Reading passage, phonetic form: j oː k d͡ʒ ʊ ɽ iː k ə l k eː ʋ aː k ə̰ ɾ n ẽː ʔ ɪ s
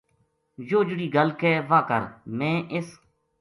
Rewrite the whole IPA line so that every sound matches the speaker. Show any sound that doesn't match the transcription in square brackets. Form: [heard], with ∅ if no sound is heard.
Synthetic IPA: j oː [∅] d͡ʒ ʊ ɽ iː [ɡ] ə l k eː ʋ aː k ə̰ ɾ [m] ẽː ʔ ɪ s